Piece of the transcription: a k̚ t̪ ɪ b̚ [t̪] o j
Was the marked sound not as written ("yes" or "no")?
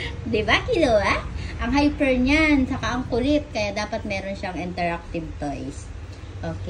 no